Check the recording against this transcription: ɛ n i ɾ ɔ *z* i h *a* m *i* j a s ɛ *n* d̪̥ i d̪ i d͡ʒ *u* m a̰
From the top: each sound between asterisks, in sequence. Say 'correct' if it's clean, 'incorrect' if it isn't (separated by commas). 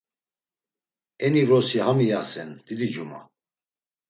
incorrect, correct, correct, correct, correct